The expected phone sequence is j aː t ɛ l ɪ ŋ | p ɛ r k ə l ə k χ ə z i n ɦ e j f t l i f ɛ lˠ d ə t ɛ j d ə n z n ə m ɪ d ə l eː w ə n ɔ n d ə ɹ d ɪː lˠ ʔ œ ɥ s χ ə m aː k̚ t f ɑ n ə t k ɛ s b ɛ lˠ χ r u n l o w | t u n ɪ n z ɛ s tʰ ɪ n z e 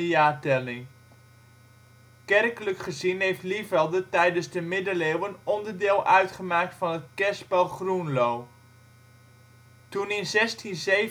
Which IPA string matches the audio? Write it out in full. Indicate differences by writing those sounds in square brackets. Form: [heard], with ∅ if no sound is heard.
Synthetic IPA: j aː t ɛ l ɪ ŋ | [k] ɛ r k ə l ə k χ ə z i n ɦ e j f t l i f ɛ lˠ d ə t ɛ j d ə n z [d] ə m ɪ d ə l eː w ə n ɔ n d ə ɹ d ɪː lˠ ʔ œ ɥ [t] χ ə m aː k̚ t f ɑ n ə t k ɛ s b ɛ lˠ χ r u n l o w | t u n ɪ n z ɛ s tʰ [i] n z e